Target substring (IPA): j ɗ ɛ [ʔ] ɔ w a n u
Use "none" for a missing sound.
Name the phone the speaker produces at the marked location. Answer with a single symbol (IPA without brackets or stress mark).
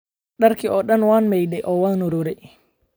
ʔ